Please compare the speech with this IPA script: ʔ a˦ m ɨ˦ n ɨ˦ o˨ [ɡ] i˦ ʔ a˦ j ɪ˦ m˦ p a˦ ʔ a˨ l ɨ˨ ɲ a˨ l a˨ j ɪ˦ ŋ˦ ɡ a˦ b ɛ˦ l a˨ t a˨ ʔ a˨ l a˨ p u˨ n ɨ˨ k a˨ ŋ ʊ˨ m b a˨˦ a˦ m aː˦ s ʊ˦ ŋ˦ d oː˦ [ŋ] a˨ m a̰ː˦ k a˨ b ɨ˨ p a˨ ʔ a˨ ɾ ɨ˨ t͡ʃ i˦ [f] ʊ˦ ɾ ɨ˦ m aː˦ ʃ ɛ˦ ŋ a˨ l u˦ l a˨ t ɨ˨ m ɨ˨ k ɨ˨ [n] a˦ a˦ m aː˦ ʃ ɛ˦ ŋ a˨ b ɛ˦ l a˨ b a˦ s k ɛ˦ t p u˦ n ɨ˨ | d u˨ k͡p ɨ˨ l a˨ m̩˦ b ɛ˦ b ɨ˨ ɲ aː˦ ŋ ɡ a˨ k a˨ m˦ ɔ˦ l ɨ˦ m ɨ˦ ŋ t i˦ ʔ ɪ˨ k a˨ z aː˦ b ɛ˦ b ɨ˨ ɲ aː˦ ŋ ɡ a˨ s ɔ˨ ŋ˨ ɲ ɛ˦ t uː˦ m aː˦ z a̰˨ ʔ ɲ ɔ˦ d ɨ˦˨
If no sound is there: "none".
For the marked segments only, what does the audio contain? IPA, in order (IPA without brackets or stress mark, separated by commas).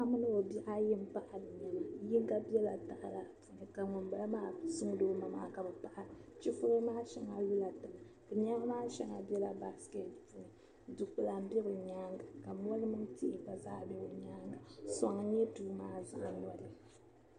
b, m, f, ɲ